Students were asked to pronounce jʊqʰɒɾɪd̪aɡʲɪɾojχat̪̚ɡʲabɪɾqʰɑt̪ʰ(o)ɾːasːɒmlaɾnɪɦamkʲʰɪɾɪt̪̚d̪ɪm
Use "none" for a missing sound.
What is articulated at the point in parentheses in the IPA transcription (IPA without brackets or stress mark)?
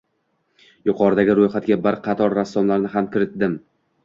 ɒ